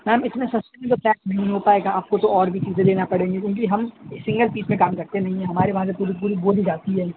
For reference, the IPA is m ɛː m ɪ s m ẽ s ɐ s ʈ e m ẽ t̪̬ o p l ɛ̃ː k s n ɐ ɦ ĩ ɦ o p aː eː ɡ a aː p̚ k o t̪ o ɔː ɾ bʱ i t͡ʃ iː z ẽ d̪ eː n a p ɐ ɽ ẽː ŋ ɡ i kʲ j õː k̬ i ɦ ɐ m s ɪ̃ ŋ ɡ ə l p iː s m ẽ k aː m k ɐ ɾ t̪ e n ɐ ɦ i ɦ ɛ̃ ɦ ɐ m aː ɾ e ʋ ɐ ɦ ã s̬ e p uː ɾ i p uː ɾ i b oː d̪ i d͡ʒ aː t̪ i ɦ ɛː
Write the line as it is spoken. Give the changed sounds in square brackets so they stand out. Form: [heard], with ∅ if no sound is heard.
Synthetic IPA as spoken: m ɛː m ɪ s m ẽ s ɐ s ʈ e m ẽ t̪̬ o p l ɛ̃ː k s n ɐ ɦ ĩ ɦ o p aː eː ɡ a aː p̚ k o t̪ o ɔː ɾ bʱ i t͡ʃ iː z ẽ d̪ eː n a p ɐ ɽ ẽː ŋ ɡ i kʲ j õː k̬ i ɦ ɐ m s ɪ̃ ŋ ɡ ə l p iː s m ẽ k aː m k ɐ ɾ t̪ e n ɐ ɦ [ĩ] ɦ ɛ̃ ɦ ɐ m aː ɾ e ʋ ɐ ɦ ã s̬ e p uː ɾ i p uː ɾ i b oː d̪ i d͡ʒ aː t̪ i ɦ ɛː